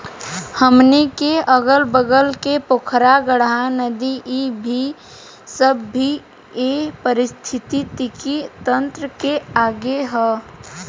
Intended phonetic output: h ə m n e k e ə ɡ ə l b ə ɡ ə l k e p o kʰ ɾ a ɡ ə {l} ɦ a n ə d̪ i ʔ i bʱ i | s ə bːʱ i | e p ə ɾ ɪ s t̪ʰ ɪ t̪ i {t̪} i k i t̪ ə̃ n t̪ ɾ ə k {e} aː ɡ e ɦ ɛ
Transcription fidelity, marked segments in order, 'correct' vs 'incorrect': incorrect: ɽ, correct, correct

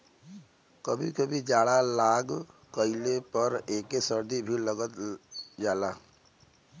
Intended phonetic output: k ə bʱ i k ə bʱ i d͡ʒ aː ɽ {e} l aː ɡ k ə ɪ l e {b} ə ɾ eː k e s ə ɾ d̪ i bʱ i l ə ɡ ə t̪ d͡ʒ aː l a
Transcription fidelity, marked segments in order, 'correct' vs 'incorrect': incorrect: a, incorrect: p

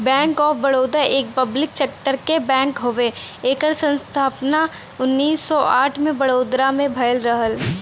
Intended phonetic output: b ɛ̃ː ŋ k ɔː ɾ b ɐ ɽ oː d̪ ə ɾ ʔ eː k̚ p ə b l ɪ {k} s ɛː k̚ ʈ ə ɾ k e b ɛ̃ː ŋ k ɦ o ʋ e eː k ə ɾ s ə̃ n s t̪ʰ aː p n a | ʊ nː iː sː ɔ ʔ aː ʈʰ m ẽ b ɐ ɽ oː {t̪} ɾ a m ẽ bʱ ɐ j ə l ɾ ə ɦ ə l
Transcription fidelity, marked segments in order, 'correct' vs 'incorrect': correct, incorrect: d̪

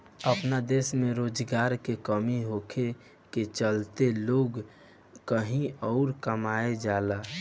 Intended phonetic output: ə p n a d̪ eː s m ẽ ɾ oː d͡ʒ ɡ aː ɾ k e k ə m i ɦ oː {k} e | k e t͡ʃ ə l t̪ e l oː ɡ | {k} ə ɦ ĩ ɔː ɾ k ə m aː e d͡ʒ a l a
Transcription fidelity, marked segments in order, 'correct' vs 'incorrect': incorrect: kʰ, correct

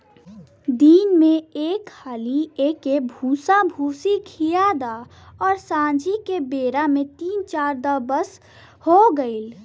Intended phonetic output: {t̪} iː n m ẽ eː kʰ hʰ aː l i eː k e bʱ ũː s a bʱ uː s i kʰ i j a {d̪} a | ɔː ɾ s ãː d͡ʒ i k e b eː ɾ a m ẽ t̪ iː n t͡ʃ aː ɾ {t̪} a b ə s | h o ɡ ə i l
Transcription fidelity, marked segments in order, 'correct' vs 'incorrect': incorrect: d̪, correct, incorrect: d̪

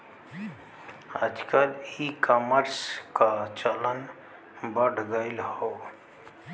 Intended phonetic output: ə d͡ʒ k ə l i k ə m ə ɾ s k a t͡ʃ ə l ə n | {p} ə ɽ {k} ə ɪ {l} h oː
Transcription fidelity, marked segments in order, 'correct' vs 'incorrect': incorrect: b, incorrect: ɡ, correct

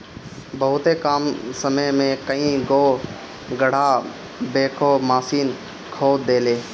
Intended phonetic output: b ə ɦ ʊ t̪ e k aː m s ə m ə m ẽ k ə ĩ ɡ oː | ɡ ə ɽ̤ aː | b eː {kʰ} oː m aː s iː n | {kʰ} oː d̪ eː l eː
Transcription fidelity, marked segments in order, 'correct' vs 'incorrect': correct, correct

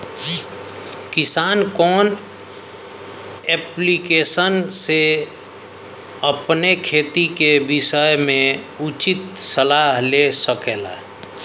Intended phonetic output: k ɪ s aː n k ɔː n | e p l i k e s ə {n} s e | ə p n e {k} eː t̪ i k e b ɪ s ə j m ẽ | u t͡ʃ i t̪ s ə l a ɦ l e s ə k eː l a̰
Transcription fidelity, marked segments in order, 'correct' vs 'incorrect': correct, incorrect: kʰ

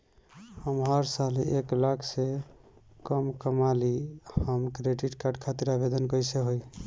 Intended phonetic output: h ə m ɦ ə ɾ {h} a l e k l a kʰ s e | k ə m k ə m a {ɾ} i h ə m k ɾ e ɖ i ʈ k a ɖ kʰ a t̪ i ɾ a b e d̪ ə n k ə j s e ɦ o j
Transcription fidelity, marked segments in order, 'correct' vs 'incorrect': incorrect: s, incorrect: l

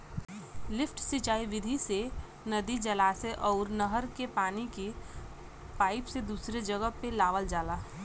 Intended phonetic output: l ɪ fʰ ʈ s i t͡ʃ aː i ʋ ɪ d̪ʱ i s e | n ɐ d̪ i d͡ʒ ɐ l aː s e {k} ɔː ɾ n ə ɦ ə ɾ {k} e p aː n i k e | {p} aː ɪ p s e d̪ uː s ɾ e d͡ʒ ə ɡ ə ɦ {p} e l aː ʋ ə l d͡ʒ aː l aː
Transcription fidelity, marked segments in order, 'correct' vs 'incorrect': incorrect: ʔ, correct, correct, correct

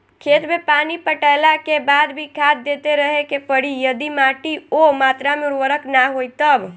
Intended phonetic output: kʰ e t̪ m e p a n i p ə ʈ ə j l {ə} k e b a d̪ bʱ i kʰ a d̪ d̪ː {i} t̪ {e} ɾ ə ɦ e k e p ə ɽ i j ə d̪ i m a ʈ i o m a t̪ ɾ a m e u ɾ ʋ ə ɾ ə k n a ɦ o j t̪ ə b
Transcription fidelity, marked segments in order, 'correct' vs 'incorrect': incorrect: a, incorrect: e, correct

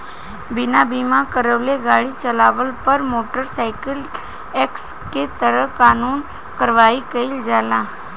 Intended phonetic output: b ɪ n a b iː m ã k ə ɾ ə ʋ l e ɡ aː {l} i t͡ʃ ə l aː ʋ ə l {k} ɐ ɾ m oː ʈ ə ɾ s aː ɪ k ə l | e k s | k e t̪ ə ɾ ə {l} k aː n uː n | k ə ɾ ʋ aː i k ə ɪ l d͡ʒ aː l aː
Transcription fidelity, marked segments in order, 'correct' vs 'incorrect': incorrect: ɽ, incorrect: p, incorrect: none

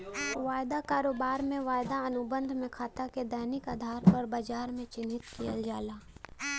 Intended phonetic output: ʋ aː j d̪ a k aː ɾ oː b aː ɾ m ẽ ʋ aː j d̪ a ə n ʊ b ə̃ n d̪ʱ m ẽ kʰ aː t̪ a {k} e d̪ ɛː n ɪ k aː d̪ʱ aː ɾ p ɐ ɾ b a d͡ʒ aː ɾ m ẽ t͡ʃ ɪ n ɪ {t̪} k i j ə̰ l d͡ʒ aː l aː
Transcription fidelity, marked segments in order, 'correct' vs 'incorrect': correct, correct

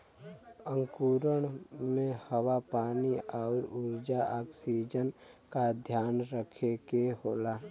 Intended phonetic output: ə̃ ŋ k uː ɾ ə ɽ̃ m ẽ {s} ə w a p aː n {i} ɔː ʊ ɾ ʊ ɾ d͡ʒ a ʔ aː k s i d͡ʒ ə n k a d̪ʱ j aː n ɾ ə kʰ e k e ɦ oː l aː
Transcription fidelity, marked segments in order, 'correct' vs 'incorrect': incorrect: h, correct

